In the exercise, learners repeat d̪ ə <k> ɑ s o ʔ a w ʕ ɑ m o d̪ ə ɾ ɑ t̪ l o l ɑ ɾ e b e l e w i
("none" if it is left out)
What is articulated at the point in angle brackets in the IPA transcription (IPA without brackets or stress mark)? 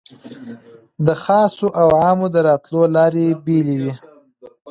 x